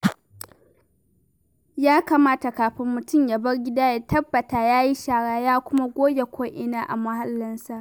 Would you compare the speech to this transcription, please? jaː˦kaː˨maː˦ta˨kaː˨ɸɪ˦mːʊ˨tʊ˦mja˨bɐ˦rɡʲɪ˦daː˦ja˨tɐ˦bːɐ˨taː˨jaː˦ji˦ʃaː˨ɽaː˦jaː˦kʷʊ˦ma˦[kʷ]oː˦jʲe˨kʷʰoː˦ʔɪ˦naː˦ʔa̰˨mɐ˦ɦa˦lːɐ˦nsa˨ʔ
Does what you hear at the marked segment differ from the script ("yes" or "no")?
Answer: yes